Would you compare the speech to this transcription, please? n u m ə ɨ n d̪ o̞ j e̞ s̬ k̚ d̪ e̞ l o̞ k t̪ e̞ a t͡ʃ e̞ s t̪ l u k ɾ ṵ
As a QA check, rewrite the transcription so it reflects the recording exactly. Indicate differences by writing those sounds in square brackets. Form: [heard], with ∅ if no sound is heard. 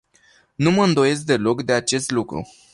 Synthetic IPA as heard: n u m ə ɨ n d̪ o̞ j e̞ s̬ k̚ d̪ e̞ l o̞ k [d̪] e̞ a t͡ʃ e̞ s t̪ l u k ɾ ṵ